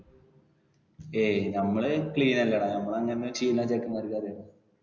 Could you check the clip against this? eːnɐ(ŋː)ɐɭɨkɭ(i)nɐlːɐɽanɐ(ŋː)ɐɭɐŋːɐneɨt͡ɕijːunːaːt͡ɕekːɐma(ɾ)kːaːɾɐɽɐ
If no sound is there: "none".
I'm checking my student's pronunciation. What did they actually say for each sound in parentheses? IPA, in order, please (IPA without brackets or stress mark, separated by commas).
mː, iː, mː, ɾ